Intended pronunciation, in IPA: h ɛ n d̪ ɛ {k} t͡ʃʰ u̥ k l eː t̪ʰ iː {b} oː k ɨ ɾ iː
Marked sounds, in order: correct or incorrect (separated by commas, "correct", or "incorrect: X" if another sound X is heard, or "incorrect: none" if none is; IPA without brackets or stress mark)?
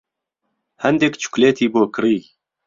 correct, correct